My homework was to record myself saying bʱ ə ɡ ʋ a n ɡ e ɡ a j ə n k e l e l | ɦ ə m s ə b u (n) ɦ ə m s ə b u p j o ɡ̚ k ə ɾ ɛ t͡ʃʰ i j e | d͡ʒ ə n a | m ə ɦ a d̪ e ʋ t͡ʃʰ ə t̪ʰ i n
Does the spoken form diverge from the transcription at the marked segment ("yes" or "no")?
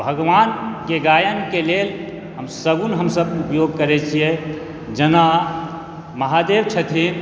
no